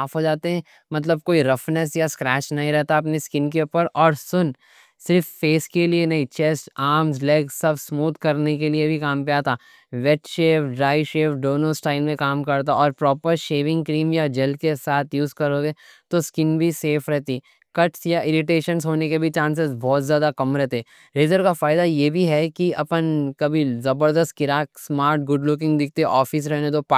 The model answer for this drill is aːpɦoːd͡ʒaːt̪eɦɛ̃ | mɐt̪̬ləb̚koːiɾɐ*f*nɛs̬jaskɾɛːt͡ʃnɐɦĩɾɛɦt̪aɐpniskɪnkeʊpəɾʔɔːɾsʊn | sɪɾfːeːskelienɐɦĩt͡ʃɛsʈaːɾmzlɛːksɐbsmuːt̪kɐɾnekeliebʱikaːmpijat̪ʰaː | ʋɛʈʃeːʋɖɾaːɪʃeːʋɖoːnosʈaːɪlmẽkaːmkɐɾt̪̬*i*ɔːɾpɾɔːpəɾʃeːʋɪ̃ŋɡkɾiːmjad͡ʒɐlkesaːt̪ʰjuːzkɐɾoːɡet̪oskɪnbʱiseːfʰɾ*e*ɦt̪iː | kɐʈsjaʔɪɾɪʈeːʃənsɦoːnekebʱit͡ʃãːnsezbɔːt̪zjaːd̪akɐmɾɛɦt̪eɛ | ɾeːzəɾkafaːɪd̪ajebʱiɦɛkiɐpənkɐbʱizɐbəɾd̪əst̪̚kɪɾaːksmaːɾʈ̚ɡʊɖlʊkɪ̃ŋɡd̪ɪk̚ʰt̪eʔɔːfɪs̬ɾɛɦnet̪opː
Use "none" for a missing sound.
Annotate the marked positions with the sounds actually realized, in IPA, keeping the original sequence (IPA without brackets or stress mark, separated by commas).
f, a, ɛ